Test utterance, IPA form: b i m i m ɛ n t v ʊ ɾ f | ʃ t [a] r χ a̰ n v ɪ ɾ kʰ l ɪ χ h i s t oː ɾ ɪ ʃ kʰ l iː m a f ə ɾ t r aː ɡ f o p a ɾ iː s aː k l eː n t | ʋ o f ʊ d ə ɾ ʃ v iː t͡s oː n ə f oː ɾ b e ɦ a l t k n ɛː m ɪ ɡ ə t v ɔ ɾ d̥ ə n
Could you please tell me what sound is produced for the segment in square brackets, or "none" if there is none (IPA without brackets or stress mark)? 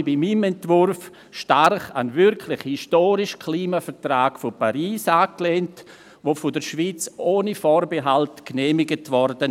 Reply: a